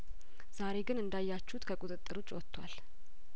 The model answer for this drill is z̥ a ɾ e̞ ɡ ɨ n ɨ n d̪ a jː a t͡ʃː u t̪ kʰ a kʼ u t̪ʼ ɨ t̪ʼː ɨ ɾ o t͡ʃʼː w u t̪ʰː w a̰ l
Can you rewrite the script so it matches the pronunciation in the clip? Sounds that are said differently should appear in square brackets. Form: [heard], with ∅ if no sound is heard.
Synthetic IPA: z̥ a ɾ e̞ ɡ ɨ n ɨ n d̪ a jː a t͡ʃː u t̪ kʰ [ə] kʼ u t̪ʼ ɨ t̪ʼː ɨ ɾ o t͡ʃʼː w [ɔ] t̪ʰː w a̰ l